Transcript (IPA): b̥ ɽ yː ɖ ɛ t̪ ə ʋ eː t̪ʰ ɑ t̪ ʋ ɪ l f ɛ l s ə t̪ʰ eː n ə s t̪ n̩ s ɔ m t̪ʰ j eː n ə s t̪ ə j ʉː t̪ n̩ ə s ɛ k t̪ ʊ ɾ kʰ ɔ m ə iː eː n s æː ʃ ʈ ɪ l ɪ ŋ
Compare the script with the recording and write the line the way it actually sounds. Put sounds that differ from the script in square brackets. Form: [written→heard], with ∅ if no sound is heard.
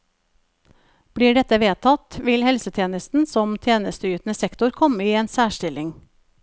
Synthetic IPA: b̥ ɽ [yː→iː] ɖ ɛ t̪ ə ʋ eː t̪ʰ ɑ t̪ ʋ ɪ l [f→h] ɛ l s ə t̪ʰ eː n ə s t̪ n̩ s ɔ m t̪ʰ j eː n ə s t̪ ə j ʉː t̪ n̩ ə s ɛ k t̪ ʊ ɾ kʰ ɔ m ə iː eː n s æː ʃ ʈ ɪ l ɪ ŋ